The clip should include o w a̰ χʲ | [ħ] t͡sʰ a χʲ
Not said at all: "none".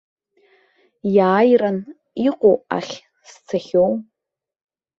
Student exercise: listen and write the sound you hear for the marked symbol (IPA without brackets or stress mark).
s